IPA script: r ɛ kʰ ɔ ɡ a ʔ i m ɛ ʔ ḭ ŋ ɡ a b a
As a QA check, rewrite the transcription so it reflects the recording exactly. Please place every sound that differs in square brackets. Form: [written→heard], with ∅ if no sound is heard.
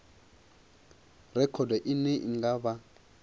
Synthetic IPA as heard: r ɛ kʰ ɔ [ɡ→d] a ʔ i [m→n] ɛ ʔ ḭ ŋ ɡ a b a

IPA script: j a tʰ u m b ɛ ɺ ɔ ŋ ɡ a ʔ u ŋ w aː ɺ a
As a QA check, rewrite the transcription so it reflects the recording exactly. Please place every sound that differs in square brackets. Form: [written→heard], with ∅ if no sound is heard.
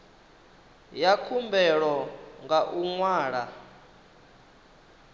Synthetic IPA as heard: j a [tʰ→kʰ] u m b ɛ ɺ ɔ ŋ ɡ a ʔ u ŋ w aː ɺ a

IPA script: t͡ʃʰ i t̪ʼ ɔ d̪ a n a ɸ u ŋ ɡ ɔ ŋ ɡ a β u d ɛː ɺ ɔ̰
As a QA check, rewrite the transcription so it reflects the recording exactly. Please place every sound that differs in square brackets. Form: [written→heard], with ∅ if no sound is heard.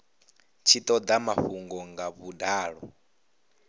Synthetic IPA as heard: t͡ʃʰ i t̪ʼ ɔ d̪ a [n→m] a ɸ u ŋ ɡ ɔ ŋ ɡ a β u d [ɛː→aː] ɺ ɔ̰

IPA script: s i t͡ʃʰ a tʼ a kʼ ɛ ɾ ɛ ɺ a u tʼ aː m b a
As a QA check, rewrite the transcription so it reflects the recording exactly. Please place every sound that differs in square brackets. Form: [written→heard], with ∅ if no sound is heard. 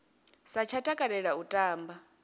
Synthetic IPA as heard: s [i→a] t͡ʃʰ a tʼ a kʼ [ɛ→a] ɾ ɛ ɺ a u tʼ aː m b a

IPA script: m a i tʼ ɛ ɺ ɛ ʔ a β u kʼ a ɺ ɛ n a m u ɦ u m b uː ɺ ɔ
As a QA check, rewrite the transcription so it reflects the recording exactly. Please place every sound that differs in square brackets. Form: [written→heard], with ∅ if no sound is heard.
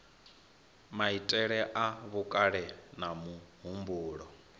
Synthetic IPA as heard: m a i tʼ ɛ ɺ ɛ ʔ a β u kʼ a ɺ ɛ n a m u ɦ u m b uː ɺ ɔ

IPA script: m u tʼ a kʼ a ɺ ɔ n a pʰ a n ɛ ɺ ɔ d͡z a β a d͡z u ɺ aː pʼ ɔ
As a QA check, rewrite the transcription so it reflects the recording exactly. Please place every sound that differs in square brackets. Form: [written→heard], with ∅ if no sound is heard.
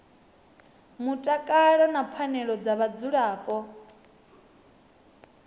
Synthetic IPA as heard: m u tʼ a kʼ a ɺ ɔ n a pʰ a n ɛ ɺ ɔ d͡z a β a d͡z u ɺ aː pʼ ɔ

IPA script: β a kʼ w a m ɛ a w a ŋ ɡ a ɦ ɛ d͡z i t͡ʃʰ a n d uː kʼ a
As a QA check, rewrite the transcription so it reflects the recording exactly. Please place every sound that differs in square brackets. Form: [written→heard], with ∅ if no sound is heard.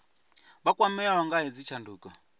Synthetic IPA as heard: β a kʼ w a m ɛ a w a ŋ ɡ a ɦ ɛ d͡z i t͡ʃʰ a n d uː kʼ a

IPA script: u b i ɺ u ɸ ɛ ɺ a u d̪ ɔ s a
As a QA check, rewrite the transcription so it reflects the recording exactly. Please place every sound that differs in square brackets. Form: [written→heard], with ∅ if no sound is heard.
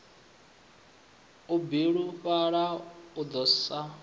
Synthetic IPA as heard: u b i ɺ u ɸ [ɛ→a] ɺ a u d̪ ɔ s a

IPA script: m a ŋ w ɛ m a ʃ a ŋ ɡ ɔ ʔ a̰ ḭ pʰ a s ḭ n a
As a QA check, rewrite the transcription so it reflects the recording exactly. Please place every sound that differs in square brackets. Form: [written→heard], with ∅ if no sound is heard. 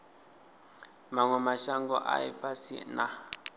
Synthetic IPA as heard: m a ŋ w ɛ m a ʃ a ŋ ɡ ɔ ʔ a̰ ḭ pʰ a s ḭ n a

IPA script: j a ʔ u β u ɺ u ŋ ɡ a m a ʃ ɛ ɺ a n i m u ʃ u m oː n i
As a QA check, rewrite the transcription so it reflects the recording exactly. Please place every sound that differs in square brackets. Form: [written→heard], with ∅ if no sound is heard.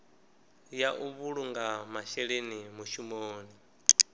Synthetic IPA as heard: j a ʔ u β u ɺ u ŋ ɡ a m a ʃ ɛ ɺ [a→e] n i m u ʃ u m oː n i

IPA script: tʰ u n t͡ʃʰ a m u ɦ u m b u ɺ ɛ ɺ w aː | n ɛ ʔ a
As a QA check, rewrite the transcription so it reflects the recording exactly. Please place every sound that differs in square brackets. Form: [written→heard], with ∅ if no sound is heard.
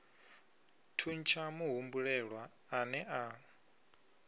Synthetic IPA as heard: tʰ u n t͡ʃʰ a m u ɦ u m b u ɺ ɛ ɺ w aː | n ɛ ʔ a

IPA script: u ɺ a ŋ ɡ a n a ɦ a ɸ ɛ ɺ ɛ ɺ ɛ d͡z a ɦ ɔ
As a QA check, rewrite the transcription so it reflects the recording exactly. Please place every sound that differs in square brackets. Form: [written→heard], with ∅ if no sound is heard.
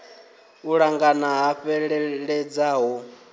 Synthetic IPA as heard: u ɺ a ŋ ɡ a n a ɦ a ɸ ɛ ɺ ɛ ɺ ɛ d͡z a ɦ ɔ

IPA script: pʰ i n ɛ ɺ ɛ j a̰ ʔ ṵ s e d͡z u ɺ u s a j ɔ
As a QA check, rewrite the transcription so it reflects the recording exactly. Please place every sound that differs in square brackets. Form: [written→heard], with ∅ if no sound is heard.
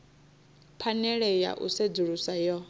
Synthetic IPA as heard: pʰ [i→a] n ɛ ɺ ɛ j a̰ ʔ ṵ s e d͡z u ɺ u s a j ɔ

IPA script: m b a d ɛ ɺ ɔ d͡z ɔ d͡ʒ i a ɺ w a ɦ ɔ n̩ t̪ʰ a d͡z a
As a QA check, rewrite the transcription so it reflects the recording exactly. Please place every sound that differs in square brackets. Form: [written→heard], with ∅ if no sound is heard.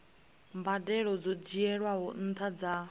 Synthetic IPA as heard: m b a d ɛ ɺ ɔ d͡z ɔ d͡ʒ i [a→ɛ] ɺ w a ɦ ɔ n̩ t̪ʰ a d͡z a

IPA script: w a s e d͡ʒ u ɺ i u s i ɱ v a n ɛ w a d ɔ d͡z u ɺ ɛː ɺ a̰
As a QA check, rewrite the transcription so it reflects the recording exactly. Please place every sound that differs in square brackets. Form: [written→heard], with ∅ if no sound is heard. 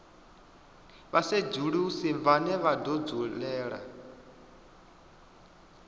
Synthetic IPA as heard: [w→β] a s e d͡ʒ u ɺ i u s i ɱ v a n ɛ [w→β] a d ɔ d͡z u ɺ ɛː ɺ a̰

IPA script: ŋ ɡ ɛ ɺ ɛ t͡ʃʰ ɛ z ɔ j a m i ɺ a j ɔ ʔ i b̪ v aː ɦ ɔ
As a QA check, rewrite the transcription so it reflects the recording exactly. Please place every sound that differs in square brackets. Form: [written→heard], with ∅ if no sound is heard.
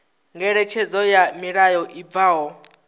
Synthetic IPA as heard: ŋ ɡ ɛ ɺ ɛ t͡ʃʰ ɛ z ɔ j a m i ɺ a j ɔ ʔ i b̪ v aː ɦ ɔ

